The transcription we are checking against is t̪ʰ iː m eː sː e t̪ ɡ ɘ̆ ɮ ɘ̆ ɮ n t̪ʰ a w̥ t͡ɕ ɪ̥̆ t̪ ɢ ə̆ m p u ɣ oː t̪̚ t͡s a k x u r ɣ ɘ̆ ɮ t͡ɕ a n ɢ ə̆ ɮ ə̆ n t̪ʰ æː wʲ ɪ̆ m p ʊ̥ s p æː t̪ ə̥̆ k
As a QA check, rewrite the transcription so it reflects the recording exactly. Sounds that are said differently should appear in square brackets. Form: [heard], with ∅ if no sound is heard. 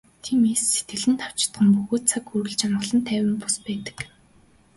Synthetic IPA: t̪ʰ iː m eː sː e t̪ ɡ ɘ̆ ɮ ɘ̆ [∅] n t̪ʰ a w̥ t͡ɕ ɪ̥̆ t̪ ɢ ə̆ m p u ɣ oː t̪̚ [t͡sʰ] a k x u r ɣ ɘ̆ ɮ t͡ɕ a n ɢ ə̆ ɮ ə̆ n t̪ʰ æː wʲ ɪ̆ m p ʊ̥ s p æː t̪ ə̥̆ k

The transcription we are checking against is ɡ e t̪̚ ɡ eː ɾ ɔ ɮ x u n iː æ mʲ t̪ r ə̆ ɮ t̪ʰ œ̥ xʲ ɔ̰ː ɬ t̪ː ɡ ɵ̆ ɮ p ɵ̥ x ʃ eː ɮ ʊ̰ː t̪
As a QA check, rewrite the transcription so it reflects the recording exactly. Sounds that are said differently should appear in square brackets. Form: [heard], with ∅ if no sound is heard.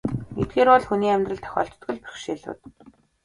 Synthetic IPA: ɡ e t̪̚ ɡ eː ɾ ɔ ɮ x u n iː æ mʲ t̪ r ə̆ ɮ t̪ʰ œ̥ xʲ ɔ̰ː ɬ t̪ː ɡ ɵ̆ ɮ p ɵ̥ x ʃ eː ɮ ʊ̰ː t̪

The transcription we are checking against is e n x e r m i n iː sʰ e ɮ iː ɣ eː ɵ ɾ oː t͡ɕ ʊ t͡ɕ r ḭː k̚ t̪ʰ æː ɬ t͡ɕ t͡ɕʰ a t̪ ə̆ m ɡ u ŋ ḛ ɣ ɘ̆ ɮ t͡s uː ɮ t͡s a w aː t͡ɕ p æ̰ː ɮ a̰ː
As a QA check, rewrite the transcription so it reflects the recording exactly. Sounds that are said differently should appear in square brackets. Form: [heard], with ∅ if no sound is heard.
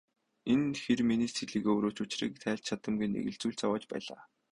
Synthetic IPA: e n x e r m i n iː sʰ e ɮ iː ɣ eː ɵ ɾ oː t͡ɕ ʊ t͡ɕ r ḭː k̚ t̪ʰ æː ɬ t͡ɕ t͡ɕʰ a t̪ ə̆ m ɡ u [n] ḛ ɣ ɘ̆ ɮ t͡s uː ɮ t͡s a w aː t͡ɕ p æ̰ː ɮ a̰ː

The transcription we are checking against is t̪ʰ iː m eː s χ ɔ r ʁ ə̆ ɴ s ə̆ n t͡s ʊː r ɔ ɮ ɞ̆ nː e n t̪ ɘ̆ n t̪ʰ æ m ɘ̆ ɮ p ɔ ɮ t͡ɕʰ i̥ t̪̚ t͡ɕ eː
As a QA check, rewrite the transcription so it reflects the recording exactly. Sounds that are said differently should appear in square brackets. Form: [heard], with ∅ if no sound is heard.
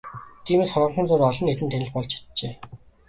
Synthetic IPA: t̪ʰ iː m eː s χ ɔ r ʁ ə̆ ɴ [χ] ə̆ n t͡s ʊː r ɔ ɮ ɞ̆ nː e [∅] t̪ ɘ̆ n t̪ʰ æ [n] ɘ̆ ɮ p ɔ ɮ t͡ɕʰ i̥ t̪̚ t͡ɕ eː

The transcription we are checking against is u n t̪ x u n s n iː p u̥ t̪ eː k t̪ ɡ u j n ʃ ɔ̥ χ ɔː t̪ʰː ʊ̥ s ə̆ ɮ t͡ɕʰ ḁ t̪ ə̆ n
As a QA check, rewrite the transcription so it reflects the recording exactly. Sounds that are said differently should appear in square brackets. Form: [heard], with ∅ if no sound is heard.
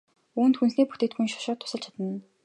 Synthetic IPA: [uː] n t̪ x u n s n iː p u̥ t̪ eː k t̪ ɡ u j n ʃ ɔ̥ [ʃ] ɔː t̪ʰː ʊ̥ s ə̆ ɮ t͡ɕʰ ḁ t̪ ə̆ n

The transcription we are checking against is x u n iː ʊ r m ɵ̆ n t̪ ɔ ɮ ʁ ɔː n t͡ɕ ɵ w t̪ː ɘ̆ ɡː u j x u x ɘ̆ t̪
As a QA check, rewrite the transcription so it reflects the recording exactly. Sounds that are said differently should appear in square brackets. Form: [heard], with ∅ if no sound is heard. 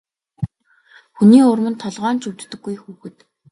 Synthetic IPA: x u n iː ʊ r m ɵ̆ n [t̪ʰ] ɔ ɮ ʁ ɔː n t͡ɕ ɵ w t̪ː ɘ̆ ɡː u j x [uː] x ɘ̆ t̪

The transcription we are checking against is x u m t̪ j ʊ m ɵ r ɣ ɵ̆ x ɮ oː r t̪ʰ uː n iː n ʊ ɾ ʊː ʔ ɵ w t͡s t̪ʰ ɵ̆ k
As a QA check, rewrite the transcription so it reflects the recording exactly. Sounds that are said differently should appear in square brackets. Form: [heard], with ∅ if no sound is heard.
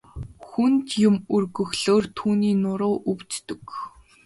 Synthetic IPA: x u [n] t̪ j ʊ m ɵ r ɣ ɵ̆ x ɮ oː r t̪ʰ uː n iː n ʊ ɾ ʊː ʔ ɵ w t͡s [t̪] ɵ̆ k

